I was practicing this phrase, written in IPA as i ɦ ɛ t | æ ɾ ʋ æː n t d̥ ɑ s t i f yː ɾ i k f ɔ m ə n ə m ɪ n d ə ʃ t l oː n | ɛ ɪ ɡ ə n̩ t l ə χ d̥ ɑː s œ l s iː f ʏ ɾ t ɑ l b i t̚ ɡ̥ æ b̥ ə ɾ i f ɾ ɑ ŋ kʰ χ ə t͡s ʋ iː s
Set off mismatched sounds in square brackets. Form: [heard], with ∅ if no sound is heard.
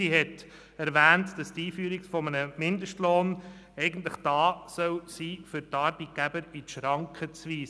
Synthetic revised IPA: i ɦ ɛ t | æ ɾ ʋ æː n t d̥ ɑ s t [iː] f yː ɾ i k f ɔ m ə n ə m ɪ n d ə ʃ t l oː n | ɛ ɪ ɡ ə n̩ t l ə χ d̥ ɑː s œ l s iː f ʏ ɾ t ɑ [ɾ] b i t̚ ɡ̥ æ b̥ ə ɾ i [ʃ] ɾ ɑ ŋ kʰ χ ə t͡s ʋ iː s